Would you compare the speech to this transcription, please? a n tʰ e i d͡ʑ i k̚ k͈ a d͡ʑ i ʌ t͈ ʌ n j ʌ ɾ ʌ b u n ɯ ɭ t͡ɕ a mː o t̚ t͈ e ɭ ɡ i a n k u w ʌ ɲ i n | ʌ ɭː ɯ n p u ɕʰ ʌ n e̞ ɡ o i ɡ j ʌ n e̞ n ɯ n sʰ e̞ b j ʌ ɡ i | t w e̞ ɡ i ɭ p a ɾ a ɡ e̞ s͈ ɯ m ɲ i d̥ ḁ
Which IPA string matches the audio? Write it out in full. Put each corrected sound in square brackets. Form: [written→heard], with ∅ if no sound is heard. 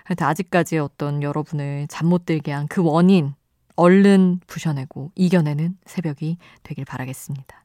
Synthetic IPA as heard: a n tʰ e [i→a] d͡ʑ i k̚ k͈ a d͡ʑ i ʌ t͈ ʌ n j ʌ ɾ ʌ b u n ɯ ɭ t͡ɕ a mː o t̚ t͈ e ɭ ɡ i a n k [u→ɯ] w ʌ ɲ i n | ʌ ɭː ɯ n p u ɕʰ ʌ n e̞ ɡ o i ɡ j ʌ n e̞ n ɯ n sʰ e̞ b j ʌ ɡ i | t w e̞ ɡ i ɭ p a ɾ a ɡ e̞ s͈ ɯ m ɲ i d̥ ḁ